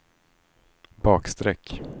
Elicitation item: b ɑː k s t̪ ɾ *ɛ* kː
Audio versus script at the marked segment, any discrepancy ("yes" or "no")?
no